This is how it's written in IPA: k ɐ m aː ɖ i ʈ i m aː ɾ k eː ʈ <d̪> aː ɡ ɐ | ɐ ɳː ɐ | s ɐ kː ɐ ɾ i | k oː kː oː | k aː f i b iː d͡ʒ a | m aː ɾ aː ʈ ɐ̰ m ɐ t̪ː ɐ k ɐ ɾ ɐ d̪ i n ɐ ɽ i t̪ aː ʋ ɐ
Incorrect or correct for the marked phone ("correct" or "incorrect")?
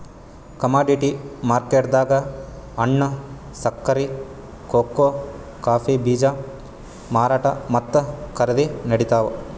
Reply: correct